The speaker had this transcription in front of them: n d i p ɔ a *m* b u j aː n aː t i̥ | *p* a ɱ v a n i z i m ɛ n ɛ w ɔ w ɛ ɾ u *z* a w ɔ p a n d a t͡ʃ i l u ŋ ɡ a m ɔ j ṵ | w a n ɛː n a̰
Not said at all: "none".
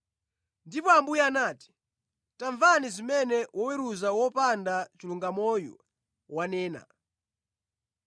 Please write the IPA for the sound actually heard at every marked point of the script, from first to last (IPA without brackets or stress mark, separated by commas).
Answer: m, t, z